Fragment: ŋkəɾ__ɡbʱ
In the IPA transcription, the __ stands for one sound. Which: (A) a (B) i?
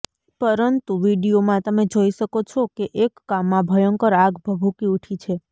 A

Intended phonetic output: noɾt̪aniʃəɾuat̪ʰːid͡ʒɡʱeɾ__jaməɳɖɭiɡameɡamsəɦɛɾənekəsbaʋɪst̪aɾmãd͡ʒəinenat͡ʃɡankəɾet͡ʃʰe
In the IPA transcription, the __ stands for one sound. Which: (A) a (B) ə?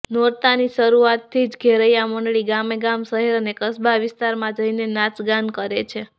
B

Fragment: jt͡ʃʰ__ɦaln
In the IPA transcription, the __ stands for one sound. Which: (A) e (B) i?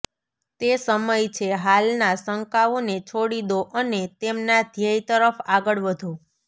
A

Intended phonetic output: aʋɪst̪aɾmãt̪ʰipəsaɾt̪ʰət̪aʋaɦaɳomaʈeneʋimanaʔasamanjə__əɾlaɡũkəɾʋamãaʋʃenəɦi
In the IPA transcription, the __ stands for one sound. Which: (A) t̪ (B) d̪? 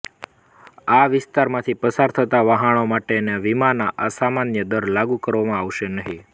B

